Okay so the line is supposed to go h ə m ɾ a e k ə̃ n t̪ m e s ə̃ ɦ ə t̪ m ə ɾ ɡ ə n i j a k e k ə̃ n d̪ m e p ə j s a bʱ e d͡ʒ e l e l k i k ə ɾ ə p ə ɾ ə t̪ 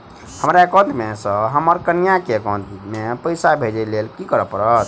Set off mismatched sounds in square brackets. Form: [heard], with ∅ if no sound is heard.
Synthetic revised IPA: h ə m ɾ a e k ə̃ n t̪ m e s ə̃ ɦ ə [∅] m ə ɾ [k] ə n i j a k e k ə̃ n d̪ m e p ə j s a bʱ e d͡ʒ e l e l k i k ə ɾ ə p ə ɾ ə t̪